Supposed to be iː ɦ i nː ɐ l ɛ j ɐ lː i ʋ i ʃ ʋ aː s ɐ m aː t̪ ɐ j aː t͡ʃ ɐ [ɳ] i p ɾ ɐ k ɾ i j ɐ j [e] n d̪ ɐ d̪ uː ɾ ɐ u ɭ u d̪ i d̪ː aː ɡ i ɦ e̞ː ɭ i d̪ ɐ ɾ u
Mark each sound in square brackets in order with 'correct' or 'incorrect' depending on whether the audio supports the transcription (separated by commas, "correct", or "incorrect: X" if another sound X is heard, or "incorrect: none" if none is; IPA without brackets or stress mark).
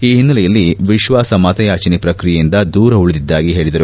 incorrect: n, incorrect: i